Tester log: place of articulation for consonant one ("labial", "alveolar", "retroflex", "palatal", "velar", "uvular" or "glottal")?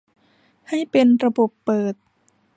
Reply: glottal